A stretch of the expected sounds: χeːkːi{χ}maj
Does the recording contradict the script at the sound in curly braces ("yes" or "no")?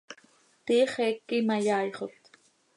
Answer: yes